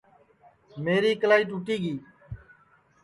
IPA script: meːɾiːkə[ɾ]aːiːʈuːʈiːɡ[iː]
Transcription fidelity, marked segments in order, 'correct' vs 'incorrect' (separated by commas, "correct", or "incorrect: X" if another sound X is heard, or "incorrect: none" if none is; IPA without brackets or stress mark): incorrect: l, correct